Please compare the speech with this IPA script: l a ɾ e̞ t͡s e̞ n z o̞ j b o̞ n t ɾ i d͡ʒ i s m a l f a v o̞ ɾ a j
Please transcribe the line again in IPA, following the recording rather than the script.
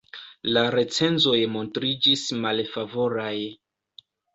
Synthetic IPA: l a ɾ e̞ t͡s e̞ n z o̞ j m o̞ n t ɾ i d͡ʒ i s m a l f a v o̞ ɾ a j